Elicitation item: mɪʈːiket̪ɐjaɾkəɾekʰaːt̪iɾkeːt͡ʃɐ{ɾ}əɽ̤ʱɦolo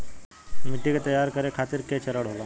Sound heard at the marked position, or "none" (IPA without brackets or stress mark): ɾ